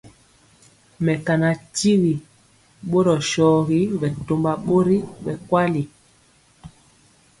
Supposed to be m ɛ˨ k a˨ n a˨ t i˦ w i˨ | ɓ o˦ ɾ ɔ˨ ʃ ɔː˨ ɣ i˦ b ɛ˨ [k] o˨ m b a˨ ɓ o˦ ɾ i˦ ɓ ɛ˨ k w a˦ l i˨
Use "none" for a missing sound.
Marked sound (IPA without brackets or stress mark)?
t